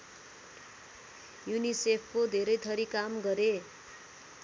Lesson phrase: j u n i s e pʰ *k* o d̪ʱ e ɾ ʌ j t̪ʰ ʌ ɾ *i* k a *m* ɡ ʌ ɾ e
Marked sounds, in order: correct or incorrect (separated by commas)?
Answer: correct, correct, correct